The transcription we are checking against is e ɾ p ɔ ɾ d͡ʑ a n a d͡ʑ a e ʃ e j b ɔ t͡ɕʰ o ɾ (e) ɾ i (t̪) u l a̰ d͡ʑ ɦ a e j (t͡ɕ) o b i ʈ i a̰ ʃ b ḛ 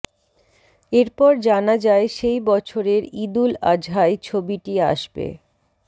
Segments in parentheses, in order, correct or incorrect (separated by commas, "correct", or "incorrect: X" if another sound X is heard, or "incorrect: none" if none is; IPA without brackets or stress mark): correct, incorrect: d̪, incorrect: t͡ɕʰ